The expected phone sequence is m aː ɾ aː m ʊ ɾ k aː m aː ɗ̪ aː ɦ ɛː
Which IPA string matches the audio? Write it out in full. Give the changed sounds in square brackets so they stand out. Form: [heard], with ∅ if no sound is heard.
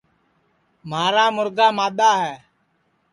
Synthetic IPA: m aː ɾ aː m ʊ ɾ [ɡ] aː m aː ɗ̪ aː ɦ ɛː